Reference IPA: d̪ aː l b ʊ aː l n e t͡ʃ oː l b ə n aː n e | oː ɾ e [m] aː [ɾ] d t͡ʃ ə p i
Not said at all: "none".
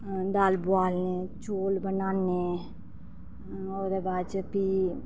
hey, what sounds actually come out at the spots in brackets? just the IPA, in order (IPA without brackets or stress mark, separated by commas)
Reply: b, none